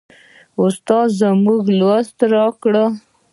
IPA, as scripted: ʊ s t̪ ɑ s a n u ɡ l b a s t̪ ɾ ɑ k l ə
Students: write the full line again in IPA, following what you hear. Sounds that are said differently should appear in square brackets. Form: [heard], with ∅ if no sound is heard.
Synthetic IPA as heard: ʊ s t̪ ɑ [z] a [m] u ɡ l [w] a s t̪ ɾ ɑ k [ɽ] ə